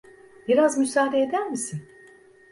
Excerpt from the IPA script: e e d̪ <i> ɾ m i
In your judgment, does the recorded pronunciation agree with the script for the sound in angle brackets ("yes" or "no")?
no